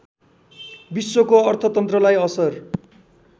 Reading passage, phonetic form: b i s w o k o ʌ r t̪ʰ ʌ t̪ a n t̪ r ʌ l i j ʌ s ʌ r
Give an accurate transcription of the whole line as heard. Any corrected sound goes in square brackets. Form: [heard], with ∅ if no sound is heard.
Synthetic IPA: b i s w o k o ʌ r t̪ʰ ʌ t̪ [ʌ] n t̪ r ʌ l [a] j ʌ s ʌ r